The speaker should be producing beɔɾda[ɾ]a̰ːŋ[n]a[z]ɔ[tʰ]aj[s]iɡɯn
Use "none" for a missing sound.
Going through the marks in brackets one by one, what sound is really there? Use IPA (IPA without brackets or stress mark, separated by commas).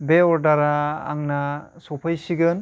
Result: ɾ, n, s, pʰ, s